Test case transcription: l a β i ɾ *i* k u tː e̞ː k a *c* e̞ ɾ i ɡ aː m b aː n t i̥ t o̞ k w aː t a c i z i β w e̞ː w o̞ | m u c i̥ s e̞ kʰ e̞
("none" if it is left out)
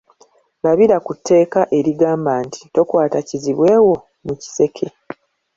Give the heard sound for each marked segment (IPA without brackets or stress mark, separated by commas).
a, ʔ